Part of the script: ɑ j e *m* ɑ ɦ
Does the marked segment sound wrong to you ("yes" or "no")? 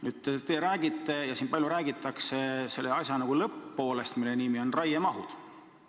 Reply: no